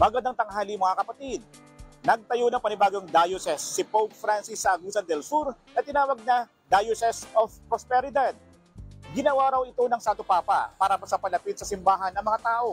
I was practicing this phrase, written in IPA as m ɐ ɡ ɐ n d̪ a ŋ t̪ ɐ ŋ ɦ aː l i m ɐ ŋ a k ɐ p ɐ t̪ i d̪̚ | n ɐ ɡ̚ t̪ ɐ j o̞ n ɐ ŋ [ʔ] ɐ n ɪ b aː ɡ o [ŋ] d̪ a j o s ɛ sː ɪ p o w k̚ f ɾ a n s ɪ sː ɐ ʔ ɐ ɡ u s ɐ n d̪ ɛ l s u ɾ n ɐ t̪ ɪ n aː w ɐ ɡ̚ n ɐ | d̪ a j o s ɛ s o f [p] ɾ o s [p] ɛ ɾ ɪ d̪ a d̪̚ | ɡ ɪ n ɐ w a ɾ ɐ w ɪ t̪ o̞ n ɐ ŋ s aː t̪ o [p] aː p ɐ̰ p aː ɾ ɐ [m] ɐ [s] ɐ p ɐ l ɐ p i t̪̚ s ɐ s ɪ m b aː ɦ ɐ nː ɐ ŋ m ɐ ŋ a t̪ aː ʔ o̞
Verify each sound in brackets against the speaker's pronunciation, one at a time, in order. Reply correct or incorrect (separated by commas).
incorrect, correct, correct, correct, correct, correct, correct